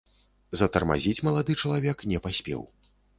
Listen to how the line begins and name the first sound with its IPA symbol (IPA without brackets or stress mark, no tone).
z